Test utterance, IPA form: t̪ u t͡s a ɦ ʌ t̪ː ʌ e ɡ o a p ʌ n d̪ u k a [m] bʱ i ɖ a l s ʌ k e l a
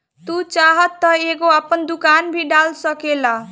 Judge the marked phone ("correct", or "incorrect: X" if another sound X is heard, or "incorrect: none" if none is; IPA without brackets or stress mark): incorrect: n